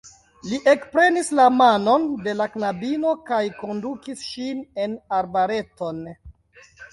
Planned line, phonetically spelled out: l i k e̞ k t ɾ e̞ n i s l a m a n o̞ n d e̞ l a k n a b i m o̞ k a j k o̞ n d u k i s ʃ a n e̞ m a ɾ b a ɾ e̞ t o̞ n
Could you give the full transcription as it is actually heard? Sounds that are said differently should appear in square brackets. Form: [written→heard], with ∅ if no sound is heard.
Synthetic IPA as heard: l i [k→ʔ] e̞ k [t→p] ɾ e̞ n i s l a m a n o̞ n d e̞ l a k n a b i [m→n] o̞ k a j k o̞ n d u k i s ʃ [a→i] n e̞ [m→n] a ɾ b a ɾ e̞ t o̞ n